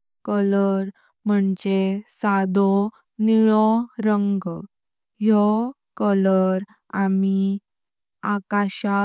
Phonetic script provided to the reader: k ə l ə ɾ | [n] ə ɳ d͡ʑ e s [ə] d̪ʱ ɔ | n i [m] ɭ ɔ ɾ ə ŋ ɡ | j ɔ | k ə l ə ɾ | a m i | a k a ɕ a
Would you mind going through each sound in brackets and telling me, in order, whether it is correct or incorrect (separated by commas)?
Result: incorrect, incorrect, incorrect